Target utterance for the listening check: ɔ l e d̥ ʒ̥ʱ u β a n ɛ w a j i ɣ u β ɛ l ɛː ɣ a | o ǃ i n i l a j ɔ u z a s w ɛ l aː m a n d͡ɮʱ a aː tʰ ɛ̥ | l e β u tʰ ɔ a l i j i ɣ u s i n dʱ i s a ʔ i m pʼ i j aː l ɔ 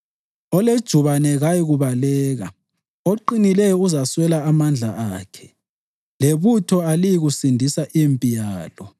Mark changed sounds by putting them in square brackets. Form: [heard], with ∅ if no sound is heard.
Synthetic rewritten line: ɔ l e d̥ ʒ̥ʱ u β a n ɛ [ɣ] a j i ɣ u β [a] l ɛː ɣ a | o ǃ i n i l [ɛ] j ɔ u z a s w ɛ l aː m a n d͡ɮʱ a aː [kʰ] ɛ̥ | l e β u tʰ ɔ a l i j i ɣ u s i n dʱ i s a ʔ i m pʼ i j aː l ɔ